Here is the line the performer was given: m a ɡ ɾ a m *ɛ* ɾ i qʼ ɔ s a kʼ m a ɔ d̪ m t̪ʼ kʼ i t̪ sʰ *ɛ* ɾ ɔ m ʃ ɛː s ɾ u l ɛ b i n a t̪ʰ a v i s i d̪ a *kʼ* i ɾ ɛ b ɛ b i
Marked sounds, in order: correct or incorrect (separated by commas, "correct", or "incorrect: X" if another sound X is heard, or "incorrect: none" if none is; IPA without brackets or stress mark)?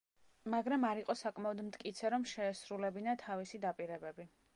incorrect: a, correct, incorrect: pʼ